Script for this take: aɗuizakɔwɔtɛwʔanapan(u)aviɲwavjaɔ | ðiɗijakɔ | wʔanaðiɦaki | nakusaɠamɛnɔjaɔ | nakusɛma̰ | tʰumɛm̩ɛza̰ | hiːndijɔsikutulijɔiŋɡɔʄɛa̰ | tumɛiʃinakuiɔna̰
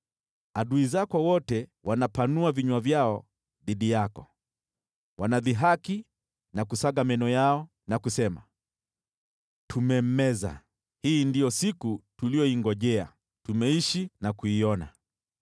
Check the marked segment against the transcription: correct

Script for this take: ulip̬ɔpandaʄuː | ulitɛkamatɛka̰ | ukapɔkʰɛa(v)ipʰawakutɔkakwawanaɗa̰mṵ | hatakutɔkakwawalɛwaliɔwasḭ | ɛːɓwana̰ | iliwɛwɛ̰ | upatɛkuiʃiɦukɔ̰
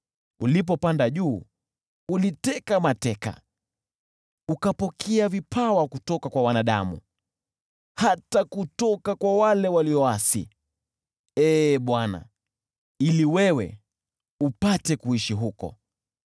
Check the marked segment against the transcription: correct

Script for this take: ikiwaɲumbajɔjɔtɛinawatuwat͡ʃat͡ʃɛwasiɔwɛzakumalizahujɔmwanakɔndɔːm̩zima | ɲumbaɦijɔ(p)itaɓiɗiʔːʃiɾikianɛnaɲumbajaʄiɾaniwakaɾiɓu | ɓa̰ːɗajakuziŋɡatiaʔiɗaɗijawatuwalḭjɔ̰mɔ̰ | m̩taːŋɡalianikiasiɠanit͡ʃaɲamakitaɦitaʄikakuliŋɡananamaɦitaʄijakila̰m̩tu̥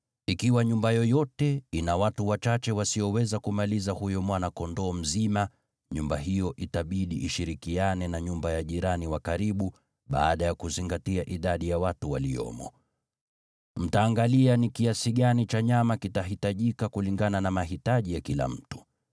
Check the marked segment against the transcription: incorrect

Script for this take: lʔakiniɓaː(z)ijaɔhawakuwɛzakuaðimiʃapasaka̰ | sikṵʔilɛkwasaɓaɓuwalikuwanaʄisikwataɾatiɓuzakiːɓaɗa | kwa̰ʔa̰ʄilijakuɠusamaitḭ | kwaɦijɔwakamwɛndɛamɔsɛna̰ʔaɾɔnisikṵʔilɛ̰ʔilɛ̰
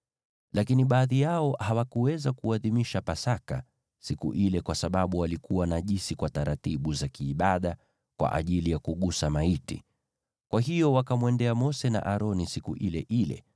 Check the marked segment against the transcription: incorrect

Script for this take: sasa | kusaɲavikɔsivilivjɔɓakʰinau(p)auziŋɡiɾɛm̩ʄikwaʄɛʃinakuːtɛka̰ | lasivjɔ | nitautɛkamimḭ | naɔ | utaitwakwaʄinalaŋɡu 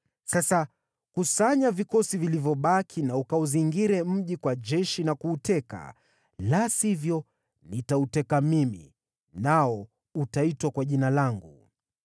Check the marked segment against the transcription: incorrect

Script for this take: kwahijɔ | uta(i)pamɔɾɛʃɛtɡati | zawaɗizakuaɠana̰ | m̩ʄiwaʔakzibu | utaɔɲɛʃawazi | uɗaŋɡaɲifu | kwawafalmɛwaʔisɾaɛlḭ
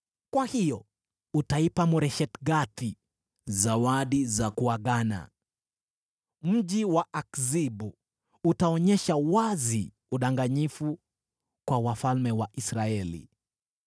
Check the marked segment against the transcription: correct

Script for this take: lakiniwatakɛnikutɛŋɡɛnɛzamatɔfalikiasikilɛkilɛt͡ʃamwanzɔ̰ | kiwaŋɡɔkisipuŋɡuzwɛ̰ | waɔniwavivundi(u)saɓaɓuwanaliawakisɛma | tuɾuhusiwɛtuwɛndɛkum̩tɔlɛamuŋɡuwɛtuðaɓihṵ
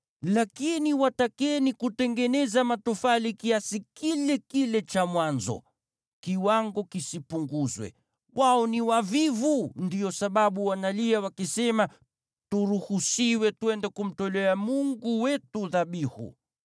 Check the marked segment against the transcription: incorrect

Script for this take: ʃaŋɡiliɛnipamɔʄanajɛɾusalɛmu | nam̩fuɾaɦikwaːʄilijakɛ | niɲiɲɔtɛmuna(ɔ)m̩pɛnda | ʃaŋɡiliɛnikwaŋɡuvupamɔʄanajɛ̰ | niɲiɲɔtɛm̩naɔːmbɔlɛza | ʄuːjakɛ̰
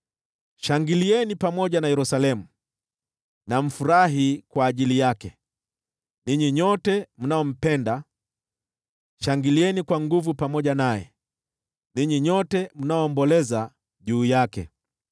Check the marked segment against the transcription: correct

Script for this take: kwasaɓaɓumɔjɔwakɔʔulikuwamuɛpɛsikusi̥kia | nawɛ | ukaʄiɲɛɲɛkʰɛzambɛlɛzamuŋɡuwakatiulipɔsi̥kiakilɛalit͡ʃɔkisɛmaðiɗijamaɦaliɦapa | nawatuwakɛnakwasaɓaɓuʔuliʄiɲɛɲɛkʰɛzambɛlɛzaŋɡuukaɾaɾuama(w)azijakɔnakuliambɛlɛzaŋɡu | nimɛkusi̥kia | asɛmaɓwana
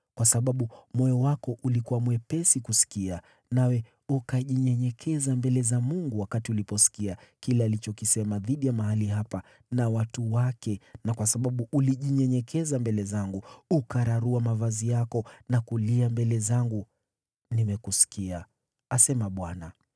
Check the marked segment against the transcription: incorrect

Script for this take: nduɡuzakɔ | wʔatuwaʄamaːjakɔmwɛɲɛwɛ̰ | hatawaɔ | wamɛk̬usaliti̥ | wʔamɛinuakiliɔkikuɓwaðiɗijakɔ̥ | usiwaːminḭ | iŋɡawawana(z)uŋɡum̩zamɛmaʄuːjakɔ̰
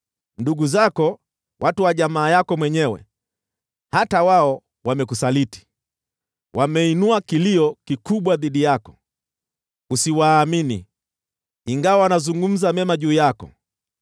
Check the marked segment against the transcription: correct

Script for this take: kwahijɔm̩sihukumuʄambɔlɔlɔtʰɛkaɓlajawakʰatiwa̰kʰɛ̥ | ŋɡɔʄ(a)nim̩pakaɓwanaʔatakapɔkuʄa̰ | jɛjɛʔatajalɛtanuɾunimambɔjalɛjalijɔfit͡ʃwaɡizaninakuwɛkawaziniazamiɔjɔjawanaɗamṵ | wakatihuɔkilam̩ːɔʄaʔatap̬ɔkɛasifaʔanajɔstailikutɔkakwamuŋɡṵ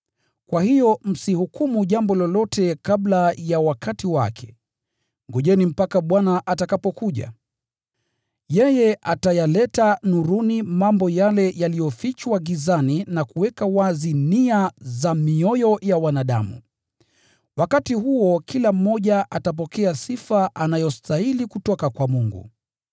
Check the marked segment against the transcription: incorrect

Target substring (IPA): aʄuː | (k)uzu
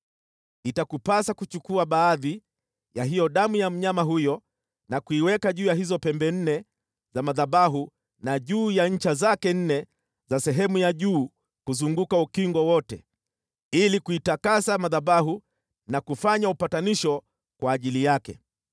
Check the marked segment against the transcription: correct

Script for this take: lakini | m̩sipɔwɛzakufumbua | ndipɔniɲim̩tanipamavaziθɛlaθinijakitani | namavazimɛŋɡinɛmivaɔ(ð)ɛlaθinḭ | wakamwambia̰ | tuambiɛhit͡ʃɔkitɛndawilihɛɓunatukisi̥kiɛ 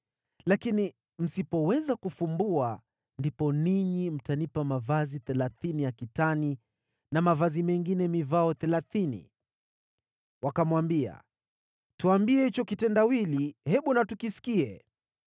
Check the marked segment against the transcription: incorrect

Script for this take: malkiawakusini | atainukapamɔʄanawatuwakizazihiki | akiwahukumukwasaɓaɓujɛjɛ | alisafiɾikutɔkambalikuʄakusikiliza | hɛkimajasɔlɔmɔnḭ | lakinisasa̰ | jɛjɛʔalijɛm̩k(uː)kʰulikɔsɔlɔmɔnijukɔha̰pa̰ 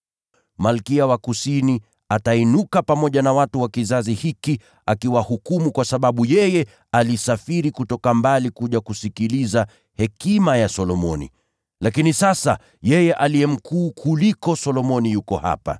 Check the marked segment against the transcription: correct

